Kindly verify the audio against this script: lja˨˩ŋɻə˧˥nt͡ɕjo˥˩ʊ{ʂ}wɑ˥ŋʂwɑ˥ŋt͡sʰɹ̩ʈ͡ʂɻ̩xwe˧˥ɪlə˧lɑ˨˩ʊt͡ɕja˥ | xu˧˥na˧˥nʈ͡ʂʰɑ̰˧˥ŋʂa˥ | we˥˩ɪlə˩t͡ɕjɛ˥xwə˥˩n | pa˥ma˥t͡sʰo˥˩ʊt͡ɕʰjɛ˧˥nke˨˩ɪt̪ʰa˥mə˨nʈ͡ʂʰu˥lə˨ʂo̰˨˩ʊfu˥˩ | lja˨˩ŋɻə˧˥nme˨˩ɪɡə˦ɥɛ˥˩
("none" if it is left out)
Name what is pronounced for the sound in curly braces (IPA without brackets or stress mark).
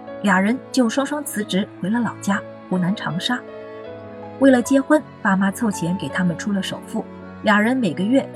ʂ